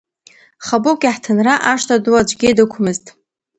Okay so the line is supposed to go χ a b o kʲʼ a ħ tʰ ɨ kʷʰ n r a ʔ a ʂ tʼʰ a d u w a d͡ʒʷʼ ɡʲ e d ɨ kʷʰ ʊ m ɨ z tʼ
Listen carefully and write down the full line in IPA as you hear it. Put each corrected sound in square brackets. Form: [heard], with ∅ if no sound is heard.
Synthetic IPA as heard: χ a b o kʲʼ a ħ tʰ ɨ [∅] n r a ʔ a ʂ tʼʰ a d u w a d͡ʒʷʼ ɡʲ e d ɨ kʷʰ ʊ m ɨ z tʼ